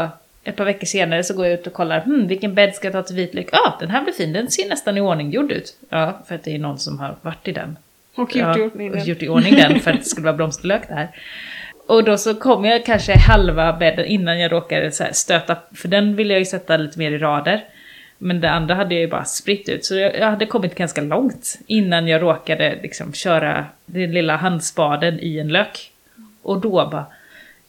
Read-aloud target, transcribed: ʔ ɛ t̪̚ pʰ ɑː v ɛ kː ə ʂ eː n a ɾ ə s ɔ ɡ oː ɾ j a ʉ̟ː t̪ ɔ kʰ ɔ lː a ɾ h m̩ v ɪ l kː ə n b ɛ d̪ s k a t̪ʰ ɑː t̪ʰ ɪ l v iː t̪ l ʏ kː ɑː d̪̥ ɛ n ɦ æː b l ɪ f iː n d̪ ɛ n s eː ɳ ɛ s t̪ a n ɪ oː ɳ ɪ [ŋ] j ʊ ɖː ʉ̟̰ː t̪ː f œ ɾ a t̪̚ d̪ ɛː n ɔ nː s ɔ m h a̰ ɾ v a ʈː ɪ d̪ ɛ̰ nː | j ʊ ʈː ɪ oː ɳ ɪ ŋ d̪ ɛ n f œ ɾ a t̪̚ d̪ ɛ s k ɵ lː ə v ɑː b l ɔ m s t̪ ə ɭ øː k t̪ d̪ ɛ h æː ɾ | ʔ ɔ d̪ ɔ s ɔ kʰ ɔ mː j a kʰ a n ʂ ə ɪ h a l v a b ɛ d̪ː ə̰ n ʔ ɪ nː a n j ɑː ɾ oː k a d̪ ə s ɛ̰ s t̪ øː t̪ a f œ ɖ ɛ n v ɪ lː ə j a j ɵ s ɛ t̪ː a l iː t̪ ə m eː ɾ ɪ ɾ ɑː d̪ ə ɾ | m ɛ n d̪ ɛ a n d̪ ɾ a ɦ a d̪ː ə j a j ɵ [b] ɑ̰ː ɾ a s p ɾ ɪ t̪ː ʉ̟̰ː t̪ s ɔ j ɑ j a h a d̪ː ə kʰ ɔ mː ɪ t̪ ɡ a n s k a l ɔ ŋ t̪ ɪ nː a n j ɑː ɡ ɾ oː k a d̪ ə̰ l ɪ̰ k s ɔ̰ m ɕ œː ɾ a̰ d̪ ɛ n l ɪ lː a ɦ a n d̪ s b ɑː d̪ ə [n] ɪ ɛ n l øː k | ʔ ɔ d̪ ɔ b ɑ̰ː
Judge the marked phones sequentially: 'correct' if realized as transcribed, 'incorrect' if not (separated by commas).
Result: correct, correct, correct